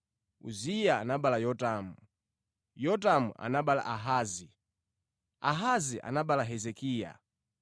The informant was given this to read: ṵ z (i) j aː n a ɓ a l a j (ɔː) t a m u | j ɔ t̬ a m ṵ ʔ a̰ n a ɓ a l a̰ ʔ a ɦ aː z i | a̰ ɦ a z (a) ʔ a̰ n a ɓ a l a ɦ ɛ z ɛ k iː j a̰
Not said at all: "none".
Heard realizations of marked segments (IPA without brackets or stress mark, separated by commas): i, ɔ, i